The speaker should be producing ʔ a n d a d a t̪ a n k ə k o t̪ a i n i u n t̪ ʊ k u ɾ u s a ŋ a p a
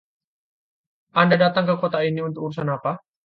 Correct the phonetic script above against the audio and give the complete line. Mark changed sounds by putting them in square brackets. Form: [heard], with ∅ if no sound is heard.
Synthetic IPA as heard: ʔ a n d a d a t̪ a [ŋ] k ə k o t̪ a i n i u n t̪ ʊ k u ɾ u s a [n] a p a